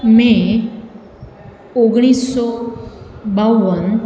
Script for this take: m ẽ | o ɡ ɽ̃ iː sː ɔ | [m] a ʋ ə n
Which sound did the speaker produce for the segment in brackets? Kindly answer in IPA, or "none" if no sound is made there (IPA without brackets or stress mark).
b